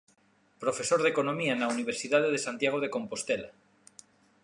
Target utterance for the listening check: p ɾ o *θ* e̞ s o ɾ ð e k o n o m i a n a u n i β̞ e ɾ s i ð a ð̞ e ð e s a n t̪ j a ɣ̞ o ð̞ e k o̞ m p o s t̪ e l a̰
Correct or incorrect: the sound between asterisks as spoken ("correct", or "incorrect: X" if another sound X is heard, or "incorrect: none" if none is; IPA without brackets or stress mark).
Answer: incorrect: f